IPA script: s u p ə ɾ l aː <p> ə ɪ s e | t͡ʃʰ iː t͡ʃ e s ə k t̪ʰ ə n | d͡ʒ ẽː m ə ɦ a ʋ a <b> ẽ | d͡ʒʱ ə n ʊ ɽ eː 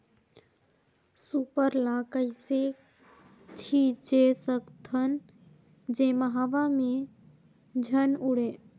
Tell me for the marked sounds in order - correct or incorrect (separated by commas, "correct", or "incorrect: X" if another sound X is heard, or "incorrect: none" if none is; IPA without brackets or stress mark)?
incorrect: k, incorrect: m